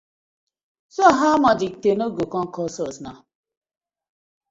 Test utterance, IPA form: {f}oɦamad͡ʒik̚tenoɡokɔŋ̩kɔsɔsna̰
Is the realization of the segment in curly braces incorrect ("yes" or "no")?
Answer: yes